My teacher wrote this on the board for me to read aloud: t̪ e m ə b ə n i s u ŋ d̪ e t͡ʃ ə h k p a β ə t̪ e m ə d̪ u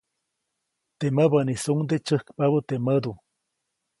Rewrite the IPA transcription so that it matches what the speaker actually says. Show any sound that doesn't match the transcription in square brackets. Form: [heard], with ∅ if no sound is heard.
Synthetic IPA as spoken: t̪ e m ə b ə n i s u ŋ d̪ e t͡ʃ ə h k p a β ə t̪ e m ə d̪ u